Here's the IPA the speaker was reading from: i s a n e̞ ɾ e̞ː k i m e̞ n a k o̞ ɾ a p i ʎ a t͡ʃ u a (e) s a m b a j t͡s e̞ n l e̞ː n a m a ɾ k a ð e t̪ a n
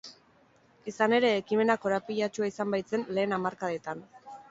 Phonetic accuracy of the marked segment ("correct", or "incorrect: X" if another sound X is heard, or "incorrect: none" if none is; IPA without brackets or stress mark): incorrect: i